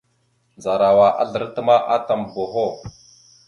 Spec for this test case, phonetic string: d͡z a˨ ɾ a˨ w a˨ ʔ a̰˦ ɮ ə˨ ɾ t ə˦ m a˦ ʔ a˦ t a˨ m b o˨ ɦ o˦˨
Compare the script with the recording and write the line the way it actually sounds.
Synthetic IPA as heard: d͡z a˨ ɾ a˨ w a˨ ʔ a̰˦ ɮ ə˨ ɾ t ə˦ m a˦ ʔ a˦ t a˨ m b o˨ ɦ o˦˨